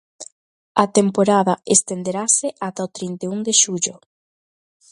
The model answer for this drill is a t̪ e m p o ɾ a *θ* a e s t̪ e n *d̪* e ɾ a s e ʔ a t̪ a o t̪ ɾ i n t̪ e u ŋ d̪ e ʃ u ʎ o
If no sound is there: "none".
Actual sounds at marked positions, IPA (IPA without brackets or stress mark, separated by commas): ð, d̪